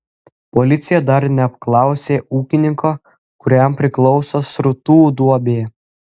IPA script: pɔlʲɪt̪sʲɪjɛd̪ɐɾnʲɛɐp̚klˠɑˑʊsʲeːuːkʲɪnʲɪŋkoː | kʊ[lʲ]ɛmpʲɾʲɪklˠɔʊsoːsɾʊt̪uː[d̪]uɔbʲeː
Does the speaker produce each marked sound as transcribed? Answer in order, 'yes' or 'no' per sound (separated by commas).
no, yes